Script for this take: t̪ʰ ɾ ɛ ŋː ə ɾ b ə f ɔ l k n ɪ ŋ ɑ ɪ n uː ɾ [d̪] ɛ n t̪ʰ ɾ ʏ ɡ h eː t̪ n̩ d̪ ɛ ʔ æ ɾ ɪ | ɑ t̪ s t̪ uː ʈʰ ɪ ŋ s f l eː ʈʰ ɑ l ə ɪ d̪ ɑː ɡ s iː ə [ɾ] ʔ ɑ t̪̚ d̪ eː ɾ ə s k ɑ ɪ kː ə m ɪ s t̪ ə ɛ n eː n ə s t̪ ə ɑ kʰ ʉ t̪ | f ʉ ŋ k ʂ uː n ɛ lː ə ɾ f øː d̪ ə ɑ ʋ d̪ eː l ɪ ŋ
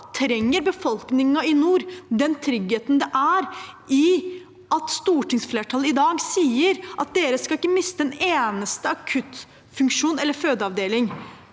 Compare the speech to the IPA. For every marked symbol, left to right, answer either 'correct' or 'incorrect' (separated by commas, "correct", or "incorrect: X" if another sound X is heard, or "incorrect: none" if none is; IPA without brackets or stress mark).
correct, correct